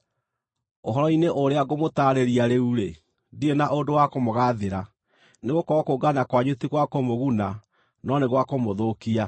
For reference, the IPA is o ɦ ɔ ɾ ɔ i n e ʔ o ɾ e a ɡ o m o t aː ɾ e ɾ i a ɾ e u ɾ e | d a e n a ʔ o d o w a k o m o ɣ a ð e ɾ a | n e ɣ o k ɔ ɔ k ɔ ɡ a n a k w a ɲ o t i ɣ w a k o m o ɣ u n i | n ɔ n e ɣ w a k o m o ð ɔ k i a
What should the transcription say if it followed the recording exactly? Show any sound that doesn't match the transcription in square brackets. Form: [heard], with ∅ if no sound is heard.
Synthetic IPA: o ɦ ɔ ɾ ɔ i n e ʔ o ɾ e a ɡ o m o t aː ɾ e ɾ i a ɾ e u ɾ e | d [i] e n a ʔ o d o w a k o m o ɣ a ð e ɾ a | n e ɣ o k ɔ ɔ k [o] ɡ a n a k w a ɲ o t i ɣ w a k o m o ɣ u n [a] | n ɔ n e ɣ w a k o m o ð [o] k i a